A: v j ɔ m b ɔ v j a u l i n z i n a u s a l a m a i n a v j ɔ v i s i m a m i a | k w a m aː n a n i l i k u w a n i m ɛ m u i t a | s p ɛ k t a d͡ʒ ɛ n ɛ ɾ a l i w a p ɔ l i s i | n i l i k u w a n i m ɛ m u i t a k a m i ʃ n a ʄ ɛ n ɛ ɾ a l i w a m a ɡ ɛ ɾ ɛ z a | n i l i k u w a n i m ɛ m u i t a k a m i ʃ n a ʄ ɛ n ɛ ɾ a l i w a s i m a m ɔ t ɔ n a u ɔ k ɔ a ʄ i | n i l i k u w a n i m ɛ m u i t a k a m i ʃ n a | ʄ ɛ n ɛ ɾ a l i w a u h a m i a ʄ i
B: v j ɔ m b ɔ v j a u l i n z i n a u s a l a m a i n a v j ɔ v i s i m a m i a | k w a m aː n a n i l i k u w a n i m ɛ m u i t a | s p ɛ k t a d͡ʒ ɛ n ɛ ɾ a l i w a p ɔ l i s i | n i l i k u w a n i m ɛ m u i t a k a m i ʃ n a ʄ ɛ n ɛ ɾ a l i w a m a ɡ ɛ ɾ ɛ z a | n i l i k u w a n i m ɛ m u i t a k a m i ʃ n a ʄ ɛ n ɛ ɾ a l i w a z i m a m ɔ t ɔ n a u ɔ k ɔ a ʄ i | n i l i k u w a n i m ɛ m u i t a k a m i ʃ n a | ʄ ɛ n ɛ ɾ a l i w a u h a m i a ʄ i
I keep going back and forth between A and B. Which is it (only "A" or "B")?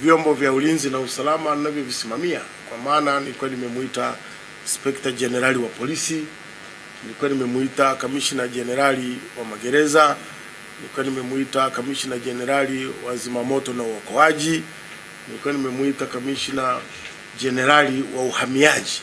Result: B